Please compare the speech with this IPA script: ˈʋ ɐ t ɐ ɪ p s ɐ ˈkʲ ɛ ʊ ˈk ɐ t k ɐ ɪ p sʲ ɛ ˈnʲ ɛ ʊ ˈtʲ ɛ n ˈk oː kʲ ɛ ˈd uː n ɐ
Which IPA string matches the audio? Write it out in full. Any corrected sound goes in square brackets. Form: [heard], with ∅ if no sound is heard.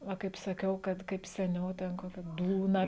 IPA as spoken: ˈʋ ɐ [k] ɐ ɪ p s ɐ ˈkʲ ɛ ʊ ˈk ɐ t k ɐ ɪ p sʲ ɛ ˈnʲ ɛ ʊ ˈtʲ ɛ n ˈk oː kʲ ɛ ˈd uː n ɐ

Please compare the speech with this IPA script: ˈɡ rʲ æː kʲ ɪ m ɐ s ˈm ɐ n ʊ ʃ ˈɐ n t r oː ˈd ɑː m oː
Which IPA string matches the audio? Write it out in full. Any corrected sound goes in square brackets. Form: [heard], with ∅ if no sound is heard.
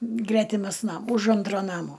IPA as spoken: ˈɡ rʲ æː [tʲ] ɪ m ɐ s [ˈn] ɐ [m] ʊ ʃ ˈɐ n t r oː [ˈn] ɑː m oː

